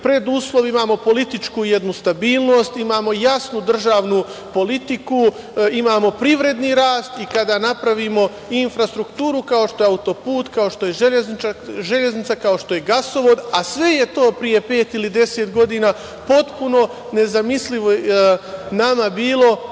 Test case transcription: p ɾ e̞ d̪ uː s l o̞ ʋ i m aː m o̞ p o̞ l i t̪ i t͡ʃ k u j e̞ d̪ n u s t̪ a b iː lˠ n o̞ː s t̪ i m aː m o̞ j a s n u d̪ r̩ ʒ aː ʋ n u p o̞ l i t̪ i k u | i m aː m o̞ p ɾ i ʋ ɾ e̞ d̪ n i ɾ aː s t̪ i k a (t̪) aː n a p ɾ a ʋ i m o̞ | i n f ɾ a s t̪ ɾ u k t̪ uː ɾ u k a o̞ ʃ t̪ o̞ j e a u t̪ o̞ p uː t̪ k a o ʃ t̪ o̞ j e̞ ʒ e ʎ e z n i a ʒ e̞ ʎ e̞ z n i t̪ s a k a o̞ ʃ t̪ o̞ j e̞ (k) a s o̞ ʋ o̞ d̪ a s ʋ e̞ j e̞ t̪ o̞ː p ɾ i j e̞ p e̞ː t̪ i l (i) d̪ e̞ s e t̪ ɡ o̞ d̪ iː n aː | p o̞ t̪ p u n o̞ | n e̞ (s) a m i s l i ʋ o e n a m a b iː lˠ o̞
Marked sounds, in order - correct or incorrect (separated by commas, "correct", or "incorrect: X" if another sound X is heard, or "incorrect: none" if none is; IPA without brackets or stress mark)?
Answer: incorrect: d̪, incorrect: ɡ, correct, incorrect: z